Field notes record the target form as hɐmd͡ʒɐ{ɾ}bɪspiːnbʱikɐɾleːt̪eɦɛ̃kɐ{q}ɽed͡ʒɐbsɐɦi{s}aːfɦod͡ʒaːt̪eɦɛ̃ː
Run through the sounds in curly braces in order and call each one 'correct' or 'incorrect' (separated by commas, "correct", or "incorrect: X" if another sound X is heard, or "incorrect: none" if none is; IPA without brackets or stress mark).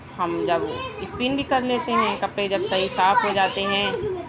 incorrect: none, incorrect: p, correct